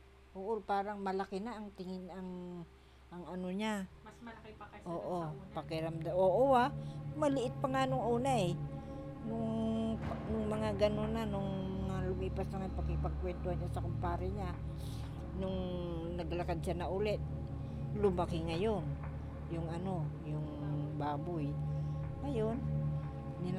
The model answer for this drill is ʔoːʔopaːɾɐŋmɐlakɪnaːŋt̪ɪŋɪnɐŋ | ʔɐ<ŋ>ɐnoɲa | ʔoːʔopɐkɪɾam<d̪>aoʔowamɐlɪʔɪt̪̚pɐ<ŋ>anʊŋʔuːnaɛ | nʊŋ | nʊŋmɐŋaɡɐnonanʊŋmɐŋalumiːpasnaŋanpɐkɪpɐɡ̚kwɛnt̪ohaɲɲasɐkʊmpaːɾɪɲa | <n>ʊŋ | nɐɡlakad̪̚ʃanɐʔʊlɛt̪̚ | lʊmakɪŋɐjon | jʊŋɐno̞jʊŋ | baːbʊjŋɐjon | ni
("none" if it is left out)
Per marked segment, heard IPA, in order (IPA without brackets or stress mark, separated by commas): ŋ, d̪, ŋ, n